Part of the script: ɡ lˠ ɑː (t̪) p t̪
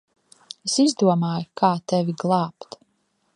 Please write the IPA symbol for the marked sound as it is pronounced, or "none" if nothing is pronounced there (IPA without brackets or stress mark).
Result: none